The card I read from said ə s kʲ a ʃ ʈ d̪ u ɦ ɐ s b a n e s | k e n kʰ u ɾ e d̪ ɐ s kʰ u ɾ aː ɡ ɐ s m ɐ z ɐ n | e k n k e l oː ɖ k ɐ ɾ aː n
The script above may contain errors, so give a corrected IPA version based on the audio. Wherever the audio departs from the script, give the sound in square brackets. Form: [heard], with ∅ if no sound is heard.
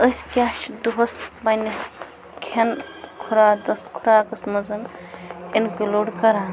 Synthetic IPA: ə s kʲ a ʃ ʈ d̪ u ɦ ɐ s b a n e s | [kʰ] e n kʰ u ɾ [a] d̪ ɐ s kʰ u ɾ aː [k] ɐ s m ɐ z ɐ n | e [∅] n k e l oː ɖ k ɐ ɾ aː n

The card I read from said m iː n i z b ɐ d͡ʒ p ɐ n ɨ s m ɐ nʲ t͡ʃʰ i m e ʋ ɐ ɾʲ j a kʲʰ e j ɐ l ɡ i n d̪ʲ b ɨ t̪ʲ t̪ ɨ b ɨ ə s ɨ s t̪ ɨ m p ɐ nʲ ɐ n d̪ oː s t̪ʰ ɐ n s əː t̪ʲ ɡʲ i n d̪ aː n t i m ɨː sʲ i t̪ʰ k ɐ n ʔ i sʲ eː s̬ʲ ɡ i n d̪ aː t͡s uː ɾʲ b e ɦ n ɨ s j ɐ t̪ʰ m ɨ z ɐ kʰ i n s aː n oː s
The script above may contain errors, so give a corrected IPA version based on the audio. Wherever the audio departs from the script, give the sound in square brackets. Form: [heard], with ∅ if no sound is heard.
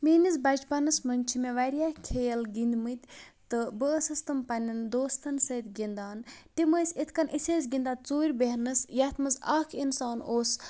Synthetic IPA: m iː n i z b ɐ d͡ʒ p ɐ n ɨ s m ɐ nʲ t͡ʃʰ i m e ʋ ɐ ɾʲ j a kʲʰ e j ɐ l ɡ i n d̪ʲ [m] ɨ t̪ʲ t̪ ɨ b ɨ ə s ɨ s t̪ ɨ m p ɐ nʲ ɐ n d̪ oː s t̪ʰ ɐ n s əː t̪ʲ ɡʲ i n d̪ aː n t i m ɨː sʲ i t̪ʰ k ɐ n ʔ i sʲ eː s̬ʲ ɡ i n d̪ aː t͡s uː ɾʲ b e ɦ n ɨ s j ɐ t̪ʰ m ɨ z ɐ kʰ i n s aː n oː s

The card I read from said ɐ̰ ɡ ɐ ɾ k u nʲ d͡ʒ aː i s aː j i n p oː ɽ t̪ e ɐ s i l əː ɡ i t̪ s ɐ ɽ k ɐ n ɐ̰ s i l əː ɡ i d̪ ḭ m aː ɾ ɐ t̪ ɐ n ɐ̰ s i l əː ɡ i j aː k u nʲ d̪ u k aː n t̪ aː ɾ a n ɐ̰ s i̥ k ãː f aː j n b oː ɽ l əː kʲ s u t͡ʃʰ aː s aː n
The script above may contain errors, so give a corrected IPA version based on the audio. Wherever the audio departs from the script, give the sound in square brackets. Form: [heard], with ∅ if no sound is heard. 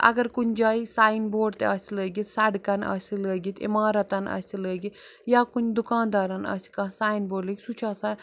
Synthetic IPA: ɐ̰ ɡ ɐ ɾ k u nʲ d͡ʒ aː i s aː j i n [b] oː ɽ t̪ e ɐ s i l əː ɡ i t̪ s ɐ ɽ k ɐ n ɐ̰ s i l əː ɡ i [t̪] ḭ m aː ɾ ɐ t̪ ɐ n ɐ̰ s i l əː ɡ i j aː k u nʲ d̪ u k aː n [d̪] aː ɾ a n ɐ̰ s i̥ k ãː [s] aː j n b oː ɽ l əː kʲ s u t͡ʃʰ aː s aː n

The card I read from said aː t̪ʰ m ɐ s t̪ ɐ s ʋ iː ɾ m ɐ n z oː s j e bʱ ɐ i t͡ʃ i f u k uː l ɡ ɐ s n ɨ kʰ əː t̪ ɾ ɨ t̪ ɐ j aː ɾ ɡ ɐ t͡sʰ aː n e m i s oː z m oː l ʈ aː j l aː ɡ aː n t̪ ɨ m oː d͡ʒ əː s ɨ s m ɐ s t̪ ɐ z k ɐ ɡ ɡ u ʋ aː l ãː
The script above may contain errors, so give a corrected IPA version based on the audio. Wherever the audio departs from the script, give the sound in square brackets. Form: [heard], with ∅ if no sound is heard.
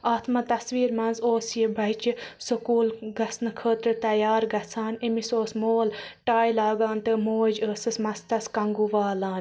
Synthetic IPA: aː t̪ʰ m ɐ [∅] t̪ ɐ s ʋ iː ɾ m ɐ n z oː s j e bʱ ɐ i t͡ʃ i [s] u k uː l ɡ ɐ s n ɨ kʰ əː t̪ ɾ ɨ t̪ ɐ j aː ɾ ɡ ɐ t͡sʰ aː n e m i s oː [s] m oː l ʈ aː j l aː ɡ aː n t̪ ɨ m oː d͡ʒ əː s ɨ s m ɐ s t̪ ɐ [s] k ɐ [ŋ] ɡ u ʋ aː l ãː

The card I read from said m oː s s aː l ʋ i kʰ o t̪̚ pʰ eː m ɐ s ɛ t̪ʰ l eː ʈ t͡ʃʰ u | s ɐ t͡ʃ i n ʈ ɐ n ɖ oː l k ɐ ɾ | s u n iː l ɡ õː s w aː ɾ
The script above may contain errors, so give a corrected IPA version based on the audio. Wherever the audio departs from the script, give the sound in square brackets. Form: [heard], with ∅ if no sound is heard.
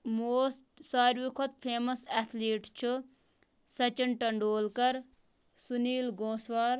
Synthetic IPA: m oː s s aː [ɾ] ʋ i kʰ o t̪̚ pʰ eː m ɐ s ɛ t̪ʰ l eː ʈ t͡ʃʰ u | s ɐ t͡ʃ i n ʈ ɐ [ɳ] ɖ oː l k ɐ ɾ | s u n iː l ɡ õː s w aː ɾ

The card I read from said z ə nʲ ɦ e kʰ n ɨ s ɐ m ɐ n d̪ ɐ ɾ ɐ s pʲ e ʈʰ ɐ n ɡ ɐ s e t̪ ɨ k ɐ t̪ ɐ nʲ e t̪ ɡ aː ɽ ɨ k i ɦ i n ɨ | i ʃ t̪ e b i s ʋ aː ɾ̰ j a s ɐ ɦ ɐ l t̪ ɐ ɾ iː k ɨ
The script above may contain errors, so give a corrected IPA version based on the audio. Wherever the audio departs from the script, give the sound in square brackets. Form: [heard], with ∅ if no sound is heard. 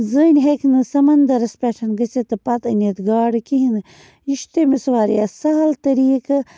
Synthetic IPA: z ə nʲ ɦ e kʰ n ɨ s ɐ m ɐ n d̪ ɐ ɾ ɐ s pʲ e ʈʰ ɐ n ɡ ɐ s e t̪ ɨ [p] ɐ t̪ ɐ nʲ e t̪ ɡ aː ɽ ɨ k i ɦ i n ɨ | i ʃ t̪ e [m] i s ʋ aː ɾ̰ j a s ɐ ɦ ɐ l t̪ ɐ ɾ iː k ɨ

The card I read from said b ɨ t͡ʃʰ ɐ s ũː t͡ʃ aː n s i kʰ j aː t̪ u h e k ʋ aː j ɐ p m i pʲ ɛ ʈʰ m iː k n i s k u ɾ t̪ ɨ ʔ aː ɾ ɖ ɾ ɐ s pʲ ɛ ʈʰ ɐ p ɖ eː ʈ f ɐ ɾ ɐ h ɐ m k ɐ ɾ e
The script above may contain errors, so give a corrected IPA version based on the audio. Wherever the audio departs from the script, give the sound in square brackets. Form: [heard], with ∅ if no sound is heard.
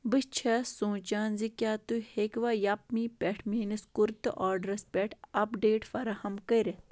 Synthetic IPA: b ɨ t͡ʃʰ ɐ s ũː t͡ʃ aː n [z] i [k] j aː t̪ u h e k ʋ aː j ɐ p m i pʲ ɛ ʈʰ m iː [∅] n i s k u ɾ t̪ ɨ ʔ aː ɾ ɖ ɾ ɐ s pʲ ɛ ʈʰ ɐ p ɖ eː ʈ f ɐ ɾ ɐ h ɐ m k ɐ ɾ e

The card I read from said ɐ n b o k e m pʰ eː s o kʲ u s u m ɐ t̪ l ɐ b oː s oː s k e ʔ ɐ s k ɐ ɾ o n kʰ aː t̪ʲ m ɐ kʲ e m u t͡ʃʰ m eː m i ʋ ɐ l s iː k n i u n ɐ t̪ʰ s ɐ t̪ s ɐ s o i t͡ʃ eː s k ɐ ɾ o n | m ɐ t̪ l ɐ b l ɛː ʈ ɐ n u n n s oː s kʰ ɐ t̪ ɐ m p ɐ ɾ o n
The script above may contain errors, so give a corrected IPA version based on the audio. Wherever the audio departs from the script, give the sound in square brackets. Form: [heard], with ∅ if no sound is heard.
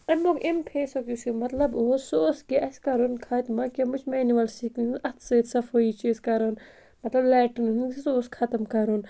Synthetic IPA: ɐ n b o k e m pʰ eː s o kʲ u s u m ɐ t̪ l ɐ b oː s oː s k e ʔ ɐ s k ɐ ɾ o n kʰ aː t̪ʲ m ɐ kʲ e m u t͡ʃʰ m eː [n] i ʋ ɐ l s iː k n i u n ɐ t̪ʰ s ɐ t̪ s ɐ [f] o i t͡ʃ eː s k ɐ ɾ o n | m ɐ t̪ l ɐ b l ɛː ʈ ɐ n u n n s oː s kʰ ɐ t̪ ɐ m [k] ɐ ɾ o n

